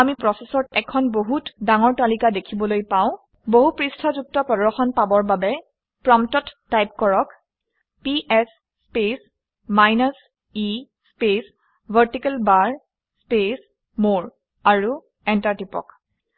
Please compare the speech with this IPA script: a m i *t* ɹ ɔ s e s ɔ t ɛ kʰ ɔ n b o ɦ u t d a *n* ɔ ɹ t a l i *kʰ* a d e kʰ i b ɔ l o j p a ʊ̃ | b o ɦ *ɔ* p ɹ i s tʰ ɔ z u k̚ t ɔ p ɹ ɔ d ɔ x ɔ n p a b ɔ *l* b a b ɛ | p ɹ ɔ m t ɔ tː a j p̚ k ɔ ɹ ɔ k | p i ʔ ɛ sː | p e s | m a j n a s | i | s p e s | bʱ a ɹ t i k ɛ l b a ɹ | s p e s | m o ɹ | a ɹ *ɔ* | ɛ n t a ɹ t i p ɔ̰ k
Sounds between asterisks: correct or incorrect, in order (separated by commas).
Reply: incorrect, incorrect, incorrect, incorrect, incorrect, incorrect